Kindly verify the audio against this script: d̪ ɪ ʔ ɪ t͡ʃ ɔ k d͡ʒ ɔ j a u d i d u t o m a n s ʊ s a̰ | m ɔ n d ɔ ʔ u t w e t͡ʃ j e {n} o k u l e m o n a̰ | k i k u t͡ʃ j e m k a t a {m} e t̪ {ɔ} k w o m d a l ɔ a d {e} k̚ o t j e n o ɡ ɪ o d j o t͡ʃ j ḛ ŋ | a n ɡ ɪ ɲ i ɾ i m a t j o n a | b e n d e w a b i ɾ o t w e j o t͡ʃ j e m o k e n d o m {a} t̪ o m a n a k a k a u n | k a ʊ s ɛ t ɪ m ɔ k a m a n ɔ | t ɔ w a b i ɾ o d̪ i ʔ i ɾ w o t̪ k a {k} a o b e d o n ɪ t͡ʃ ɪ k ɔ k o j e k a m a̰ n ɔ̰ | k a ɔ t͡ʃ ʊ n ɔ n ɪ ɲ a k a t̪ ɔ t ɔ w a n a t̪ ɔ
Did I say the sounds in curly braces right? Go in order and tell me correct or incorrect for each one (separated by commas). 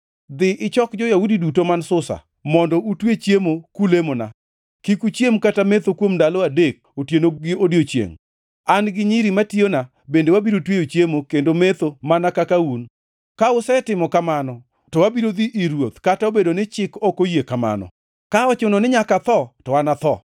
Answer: incorrect, correct, incorrect, correct, incorrect, incorrect